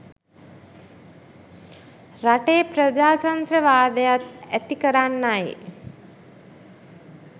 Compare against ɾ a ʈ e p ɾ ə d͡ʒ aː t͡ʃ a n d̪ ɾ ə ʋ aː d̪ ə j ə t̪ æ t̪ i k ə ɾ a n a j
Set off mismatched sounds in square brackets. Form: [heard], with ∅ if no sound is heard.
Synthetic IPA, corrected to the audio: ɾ a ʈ e p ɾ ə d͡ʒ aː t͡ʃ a n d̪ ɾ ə ʋ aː d̪ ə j [a] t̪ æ t̪ i k ə ɾ a [nː] a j